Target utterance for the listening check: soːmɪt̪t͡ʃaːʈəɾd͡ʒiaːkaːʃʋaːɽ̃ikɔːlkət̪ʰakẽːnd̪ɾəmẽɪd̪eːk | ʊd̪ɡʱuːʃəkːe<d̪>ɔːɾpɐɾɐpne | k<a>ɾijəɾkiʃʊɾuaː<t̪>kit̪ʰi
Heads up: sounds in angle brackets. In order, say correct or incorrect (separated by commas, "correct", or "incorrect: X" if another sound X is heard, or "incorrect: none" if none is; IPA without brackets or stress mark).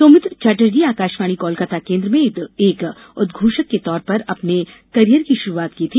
incorrect: t̪, incorrect: ɐ, correct